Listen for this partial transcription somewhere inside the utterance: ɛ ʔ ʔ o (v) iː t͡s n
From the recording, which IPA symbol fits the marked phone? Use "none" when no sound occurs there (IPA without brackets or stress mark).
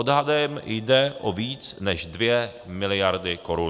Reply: v